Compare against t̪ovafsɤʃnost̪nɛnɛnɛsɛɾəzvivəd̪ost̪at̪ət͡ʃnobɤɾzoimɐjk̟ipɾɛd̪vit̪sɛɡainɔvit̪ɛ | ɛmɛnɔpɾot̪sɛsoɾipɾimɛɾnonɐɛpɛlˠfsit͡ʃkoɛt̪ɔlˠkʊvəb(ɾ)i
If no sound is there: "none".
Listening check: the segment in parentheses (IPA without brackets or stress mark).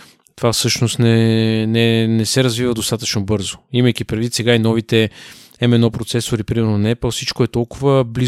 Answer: l